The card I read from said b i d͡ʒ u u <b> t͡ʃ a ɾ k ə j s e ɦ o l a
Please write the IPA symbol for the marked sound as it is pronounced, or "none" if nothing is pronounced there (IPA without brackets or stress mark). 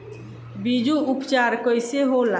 p